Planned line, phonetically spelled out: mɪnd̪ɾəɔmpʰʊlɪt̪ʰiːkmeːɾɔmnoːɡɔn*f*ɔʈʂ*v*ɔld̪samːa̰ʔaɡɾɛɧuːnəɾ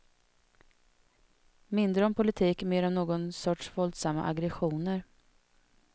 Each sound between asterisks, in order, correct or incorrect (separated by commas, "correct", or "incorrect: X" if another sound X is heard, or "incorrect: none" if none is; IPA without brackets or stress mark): incorrect: s, correct